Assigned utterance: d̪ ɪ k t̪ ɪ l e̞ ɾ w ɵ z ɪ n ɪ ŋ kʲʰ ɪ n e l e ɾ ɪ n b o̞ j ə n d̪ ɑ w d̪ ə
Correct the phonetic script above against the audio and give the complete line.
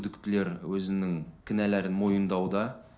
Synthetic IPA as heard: d̪ ɪ k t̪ ɪ l e̞ ɾ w ɵ z ɪ n ɪ ŋ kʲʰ ɪ n æ l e ɾ ɪ n m o̞ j ə n d̪ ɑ w d̪ ɑ